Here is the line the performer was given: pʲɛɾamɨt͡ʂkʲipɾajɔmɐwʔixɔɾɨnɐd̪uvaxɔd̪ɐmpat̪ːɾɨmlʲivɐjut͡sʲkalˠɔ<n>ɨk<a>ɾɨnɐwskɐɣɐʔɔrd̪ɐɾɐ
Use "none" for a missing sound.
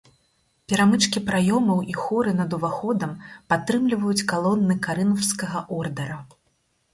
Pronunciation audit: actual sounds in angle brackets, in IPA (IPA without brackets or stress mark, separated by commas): nː, a